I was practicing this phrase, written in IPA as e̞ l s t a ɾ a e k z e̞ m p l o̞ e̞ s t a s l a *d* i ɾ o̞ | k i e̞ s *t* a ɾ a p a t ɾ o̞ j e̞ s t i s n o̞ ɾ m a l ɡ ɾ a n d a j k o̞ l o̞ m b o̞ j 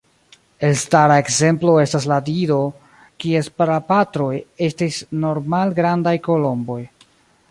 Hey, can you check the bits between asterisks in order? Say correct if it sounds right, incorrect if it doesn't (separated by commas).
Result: correct, incorrect